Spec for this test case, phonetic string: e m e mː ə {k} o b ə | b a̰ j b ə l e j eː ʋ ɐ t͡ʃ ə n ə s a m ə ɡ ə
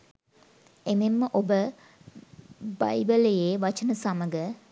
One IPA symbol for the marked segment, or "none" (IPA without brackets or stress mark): ʔ